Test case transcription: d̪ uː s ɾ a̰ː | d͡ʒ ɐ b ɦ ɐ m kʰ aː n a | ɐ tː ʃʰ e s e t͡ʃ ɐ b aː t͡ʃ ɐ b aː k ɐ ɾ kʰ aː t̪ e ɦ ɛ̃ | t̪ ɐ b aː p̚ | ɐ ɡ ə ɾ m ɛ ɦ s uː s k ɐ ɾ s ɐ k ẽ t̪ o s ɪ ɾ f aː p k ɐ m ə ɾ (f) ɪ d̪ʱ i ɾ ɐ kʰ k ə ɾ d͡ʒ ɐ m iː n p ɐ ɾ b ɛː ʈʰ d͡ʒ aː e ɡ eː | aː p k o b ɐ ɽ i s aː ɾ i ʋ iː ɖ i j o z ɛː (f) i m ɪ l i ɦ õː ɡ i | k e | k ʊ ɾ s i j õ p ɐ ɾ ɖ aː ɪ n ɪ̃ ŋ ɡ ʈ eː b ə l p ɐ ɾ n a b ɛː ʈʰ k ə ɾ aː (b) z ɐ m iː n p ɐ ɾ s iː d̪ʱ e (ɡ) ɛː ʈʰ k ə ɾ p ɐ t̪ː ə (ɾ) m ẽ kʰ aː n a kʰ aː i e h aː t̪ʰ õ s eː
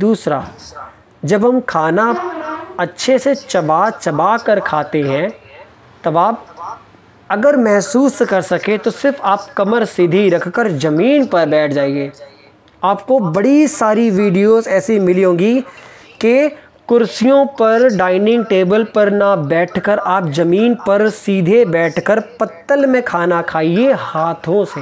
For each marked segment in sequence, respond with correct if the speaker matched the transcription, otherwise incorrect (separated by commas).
incorrect, incorrect, incorrect, incorrect, incorrect